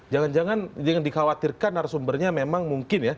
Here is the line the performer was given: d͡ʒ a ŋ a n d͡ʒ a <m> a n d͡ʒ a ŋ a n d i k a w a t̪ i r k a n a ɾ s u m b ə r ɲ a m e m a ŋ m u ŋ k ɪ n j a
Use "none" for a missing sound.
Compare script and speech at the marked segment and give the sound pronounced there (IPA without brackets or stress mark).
ŋ